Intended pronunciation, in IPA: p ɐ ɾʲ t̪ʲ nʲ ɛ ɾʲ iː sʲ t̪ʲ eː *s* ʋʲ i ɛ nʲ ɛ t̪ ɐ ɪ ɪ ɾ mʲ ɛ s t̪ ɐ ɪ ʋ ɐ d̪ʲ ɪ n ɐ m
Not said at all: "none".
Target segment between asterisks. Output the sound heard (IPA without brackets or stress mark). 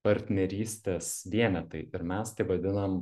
s